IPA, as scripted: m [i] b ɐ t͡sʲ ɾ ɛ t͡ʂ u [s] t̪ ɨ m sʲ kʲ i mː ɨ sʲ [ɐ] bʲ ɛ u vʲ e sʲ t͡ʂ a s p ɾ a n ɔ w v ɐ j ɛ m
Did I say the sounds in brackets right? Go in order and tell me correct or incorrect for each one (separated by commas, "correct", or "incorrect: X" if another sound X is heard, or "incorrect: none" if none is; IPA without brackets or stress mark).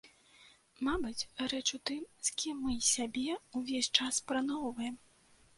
incorrect: a, incorrect: none, incorrect: a